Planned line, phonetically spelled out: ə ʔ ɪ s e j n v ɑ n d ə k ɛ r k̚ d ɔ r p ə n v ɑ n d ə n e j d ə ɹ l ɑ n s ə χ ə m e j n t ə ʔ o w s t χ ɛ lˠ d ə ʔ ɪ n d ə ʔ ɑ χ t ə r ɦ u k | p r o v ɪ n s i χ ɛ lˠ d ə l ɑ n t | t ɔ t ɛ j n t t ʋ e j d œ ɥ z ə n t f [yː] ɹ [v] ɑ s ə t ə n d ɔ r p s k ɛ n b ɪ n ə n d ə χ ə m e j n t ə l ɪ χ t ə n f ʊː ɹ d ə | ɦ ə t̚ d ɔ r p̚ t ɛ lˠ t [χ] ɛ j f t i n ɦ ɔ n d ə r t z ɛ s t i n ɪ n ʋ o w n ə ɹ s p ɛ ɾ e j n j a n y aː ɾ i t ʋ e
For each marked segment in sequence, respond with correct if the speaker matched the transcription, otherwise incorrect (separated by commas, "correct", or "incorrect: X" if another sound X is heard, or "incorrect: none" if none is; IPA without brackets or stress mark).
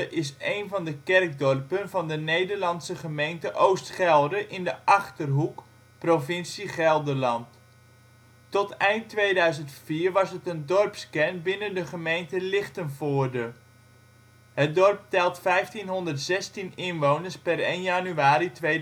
incorrect: iː, incorrect: ʋ, incorrect: f